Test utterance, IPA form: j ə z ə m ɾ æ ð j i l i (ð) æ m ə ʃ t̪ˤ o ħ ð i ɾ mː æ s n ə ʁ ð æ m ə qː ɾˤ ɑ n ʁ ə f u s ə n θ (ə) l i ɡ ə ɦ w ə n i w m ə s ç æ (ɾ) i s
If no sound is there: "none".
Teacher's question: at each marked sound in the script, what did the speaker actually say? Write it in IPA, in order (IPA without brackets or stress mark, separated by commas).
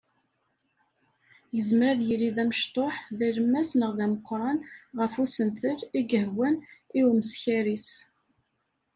ð, ə, ɾ